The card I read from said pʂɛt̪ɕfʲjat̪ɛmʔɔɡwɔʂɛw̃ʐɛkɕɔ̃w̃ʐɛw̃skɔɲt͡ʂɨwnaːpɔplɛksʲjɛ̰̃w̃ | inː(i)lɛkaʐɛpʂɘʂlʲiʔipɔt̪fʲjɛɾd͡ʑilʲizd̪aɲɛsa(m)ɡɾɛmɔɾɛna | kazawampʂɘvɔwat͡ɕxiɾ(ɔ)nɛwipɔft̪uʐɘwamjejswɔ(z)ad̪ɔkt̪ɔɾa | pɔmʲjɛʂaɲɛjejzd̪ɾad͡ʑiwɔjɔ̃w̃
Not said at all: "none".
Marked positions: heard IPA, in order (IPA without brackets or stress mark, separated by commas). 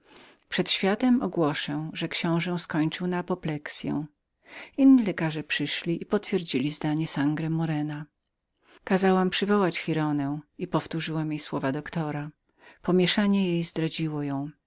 i, ŋ, ɔ, v